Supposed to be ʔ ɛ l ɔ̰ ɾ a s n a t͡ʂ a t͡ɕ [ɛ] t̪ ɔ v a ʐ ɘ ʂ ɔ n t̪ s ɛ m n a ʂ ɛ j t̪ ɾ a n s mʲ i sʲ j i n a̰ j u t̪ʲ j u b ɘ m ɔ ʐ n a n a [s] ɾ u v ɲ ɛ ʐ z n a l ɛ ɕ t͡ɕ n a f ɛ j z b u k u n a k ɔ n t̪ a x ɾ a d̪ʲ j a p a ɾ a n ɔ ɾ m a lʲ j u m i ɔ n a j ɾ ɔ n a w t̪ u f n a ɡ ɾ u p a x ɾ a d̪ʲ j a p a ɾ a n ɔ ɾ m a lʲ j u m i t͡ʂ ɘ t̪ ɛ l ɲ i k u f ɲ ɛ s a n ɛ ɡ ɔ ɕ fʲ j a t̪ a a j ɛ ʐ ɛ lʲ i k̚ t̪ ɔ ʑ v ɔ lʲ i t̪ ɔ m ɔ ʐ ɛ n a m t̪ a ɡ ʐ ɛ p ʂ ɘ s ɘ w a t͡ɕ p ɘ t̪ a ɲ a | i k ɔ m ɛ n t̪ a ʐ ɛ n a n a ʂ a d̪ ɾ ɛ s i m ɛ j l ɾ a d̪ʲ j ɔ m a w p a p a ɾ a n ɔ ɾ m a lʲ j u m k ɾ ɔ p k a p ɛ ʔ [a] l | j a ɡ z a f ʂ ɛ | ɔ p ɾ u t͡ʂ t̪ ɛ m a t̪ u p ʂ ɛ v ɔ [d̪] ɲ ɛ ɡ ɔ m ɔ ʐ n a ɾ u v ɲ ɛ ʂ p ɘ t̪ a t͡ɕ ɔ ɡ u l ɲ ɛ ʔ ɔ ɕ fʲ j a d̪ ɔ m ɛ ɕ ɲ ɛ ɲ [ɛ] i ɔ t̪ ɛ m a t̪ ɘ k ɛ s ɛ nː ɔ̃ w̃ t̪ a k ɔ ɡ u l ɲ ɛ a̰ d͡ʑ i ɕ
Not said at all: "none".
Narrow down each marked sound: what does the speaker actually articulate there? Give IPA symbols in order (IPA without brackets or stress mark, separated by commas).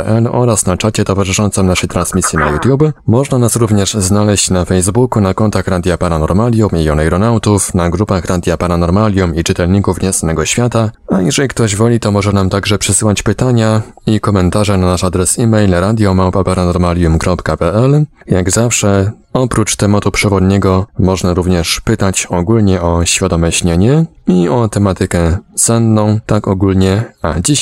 ɛ, s, ɛ, d̪, ɛ